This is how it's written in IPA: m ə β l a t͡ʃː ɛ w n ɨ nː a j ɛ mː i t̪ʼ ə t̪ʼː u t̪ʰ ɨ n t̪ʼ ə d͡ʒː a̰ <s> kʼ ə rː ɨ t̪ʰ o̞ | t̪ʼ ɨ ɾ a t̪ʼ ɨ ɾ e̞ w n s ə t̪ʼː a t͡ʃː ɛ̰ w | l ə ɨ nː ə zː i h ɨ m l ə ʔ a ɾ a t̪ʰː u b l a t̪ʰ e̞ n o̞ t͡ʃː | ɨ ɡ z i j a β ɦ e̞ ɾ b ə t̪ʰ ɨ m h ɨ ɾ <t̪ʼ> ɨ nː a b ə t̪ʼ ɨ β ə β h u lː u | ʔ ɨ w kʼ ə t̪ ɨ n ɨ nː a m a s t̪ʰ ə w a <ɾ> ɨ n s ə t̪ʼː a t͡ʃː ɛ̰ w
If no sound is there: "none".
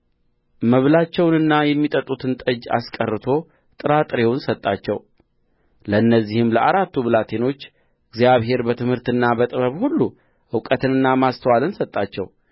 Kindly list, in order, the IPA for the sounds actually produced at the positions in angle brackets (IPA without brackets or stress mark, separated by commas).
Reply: s, t̪, l